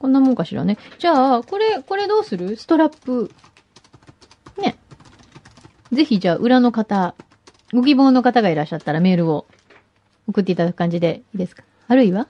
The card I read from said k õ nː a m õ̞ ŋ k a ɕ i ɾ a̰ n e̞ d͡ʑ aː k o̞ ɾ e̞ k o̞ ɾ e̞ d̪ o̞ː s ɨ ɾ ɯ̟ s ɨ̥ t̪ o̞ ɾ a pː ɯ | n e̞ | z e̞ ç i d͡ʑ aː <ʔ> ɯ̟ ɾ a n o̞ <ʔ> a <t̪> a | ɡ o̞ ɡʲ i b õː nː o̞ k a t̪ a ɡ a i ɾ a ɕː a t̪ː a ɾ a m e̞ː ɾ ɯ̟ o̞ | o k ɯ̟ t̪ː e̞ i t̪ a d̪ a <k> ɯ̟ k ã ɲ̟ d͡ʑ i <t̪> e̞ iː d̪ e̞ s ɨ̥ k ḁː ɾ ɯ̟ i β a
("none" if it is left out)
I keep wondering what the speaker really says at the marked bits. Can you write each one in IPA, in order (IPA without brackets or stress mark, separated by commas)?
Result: ʔ, k, t̪, k, d̪